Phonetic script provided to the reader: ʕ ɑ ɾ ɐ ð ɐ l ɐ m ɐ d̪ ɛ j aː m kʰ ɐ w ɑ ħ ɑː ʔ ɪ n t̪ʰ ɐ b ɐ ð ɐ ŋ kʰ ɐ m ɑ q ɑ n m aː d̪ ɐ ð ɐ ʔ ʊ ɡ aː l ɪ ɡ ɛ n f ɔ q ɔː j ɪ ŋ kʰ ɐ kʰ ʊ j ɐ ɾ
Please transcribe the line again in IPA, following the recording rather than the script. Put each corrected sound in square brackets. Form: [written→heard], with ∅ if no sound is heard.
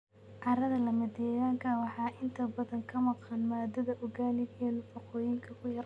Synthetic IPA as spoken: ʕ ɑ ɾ ɐ ð ɐ l ɐ m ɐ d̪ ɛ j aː [m→ŋ] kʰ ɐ w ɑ ħ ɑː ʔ ɪ n t̪ʰ ɐ b ɐ ð ɐ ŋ kʰ ɐ m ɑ q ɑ n m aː d̪ ɐ ð ɐ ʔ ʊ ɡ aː l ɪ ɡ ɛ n f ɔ q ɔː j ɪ ŋ kʰ ɐ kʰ ʊ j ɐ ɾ